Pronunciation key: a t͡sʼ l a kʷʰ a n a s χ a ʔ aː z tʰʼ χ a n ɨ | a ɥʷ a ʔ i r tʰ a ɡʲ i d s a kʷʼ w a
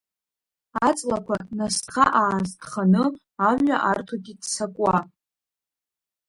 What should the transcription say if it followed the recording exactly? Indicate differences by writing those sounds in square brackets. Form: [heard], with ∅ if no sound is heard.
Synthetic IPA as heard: a t͡sʼ l a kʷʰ a n a s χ a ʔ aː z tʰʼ χ a n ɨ | a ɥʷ a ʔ [a] r tʰ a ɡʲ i d s a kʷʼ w a